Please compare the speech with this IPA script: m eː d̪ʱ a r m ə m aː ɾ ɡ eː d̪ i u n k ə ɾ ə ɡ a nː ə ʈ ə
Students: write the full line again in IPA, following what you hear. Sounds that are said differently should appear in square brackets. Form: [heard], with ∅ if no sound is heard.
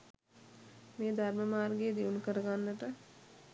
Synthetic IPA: m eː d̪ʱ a [ɾ] m ə m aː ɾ ɡ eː d̪ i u n k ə ɾ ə ɡ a nː ə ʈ ə